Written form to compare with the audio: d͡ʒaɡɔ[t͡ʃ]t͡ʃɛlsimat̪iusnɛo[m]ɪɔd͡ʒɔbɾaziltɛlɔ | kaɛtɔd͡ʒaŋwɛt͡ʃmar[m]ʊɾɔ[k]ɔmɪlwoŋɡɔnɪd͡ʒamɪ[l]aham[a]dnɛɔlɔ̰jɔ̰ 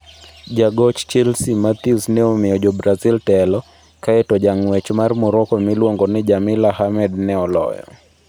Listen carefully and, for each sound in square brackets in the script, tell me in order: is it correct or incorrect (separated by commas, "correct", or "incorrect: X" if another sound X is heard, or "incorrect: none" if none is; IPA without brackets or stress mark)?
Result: correct, correct, correct, correct, correct, incorrect: ɛ